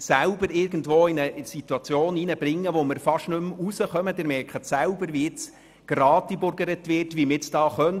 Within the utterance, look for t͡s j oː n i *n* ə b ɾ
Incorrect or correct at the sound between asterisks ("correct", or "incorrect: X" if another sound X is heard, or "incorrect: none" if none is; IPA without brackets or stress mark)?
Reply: correct